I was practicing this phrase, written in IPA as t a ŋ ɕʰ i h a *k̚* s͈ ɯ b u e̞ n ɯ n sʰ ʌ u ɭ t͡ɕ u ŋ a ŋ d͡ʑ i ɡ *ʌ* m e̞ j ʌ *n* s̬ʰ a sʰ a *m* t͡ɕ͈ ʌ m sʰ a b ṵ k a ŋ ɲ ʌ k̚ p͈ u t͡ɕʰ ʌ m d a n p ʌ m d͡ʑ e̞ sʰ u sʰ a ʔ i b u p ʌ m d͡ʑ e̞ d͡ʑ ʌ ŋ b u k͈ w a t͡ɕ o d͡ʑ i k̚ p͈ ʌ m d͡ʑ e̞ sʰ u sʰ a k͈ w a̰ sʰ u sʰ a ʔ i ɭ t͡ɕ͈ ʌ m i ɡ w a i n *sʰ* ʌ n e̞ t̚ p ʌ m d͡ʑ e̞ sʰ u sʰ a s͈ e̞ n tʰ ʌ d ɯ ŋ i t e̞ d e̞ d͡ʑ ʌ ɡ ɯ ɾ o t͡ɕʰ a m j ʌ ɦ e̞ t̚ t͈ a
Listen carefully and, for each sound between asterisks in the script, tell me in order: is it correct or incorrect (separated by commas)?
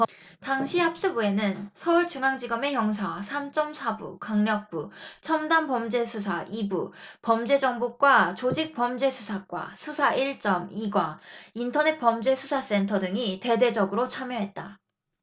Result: incorrect, correct, incorrect, correct, incorrect